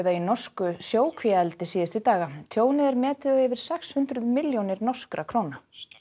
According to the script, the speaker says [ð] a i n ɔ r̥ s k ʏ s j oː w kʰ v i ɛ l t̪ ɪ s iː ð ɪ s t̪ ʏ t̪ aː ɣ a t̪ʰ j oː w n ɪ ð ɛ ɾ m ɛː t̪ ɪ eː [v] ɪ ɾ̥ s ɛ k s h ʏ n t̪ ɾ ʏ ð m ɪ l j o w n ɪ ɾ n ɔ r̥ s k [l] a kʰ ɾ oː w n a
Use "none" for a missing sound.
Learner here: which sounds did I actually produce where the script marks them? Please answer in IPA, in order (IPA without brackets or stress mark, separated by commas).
ð, v, ɾ